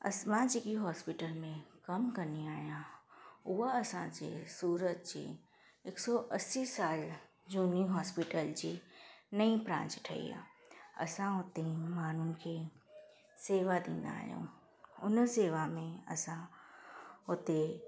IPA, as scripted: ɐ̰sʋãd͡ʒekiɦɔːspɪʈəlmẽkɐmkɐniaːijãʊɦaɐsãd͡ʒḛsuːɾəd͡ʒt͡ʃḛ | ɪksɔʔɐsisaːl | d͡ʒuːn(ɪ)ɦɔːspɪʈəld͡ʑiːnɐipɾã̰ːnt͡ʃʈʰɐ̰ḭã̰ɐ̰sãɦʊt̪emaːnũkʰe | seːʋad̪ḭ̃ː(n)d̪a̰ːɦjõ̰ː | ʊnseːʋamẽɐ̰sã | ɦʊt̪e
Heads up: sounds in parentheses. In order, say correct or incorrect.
incorrect: i, correct

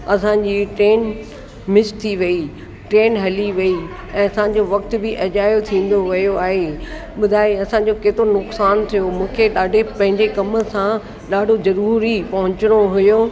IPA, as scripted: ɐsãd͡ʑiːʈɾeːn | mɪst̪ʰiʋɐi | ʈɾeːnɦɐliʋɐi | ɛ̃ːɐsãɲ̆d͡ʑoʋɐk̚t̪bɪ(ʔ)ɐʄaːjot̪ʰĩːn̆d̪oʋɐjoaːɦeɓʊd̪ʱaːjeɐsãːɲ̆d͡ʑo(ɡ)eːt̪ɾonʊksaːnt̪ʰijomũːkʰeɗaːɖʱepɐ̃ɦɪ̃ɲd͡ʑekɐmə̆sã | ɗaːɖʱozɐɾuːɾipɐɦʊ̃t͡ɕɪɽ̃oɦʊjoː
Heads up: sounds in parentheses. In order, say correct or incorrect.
correct, incorrect: k

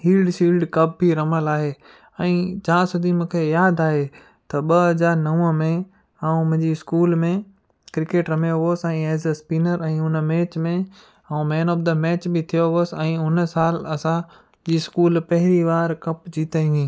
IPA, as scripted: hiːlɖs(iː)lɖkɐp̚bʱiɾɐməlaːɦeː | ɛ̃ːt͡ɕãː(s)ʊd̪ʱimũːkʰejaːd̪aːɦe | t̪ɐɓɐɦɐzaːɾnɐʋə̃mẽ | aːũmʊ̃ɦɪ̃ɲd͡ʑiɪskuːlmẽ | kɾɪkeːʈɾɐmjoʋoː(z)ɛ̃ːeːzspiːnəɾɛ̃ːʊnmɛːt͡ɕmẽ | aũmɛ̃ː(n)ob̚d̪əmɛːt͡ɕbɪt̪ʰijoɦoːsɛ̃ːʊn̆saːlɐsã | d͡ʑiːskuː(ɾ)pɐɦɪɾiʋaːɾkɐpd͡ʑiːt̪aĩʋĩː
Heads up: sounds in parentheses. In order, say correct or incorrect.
correct, correct, incorrect: s, correct, incorrect: l

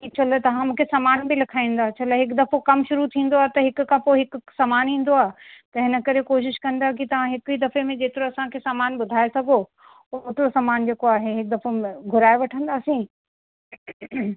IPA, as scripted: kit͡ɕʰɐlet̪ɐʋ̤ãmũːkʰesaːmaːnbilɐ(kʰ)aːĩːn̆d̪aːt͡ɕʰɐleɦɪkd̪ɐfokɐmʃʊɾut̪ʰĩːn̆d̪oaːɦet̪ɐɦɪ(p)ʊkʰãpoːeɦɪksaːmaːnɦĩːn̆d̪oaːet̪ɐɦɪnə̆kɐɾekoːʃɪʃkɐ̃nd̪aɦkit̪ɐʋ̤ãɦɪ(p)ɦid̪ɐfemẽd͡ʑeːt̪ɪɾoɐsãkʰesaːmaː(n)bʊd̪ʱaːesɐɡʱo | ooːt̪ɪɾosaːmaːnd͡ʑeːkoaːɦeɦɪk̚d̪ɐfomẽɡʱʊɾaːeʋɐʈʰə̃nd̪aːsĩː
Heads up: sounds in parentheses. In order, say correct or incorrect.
correct, incorrect: k, incorrect: k, correct

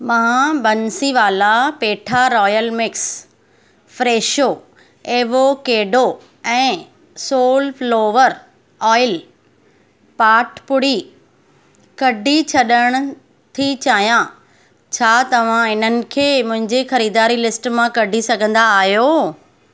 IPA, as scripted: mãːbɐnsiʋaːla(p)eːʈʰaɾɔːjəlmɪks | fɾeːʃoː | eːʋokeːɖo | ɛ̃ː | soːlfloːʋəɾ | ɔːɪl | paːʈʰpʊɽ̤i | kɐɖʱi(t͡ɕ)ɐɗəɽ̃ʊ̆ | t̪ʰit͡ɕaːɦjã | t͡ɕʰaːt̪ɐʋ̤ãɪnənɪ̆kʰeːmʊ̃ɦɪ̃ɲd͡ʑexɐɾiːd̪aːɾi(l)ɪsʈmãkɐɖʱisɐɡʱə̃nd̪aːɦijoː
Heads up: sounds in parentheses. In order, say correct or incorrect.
correct, incorrect: t͡ɕʰ, correct

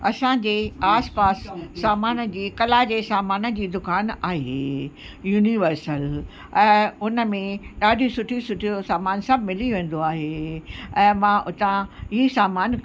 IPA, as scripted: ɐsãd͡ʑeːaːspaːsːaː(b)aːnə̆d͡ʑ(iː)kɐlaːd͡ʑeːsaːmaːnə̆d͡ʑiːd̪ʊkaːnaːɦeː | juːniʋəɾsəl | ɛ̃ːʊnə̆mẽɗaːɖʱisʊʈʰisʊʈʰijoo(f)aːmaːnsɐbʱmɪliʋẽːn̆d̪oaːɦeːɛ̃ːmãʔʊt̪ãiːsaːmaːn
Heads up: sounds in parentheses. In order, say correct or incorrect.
incorrect: m, correct, incorrect: s

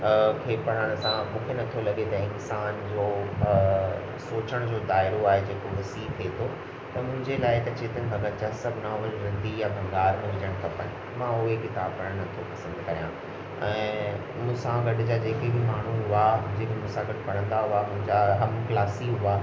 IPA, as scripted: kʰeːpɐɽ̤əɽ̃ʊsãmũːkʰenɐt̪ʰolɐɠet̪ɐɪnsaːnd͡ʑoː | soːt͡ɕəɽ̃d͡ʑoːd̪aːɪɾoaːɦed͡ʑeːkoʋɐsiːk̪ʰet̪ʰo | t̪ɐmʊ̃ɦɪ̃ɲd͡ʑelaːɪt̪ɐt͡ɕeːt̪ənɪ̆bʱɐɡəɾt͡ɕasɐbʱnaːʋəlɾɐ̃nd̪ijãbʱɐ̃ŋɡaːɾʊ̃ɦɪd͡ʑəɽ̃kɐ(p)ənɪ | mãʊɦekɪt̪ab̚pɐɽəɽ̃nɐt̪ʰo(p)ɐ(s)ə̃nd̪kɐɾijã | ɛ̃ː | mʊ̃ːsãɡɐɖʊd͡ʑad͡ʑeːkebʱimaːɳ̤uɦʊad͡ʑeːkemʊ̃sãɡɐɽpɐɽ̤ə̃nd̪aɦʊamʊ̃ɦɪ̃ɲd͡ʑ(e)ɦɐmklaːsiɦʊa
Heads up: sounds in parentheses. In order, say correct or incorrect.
correct, correct, correct, incorrect: a

